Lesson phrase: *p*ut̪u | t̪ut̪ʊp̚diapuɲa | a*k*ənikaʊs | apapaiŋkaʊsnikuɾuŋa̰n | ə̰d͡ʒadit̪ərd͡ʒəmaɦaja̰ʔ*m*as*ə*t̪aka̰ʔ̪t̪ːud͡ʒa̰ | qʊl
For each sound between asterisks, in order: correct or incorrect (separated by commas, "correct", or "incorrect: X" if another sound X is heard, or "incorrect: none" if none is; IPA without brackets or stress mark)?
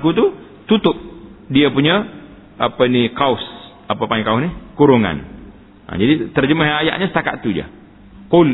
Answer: incorrect: k, incorrect: p, incorrect: ɲ, correct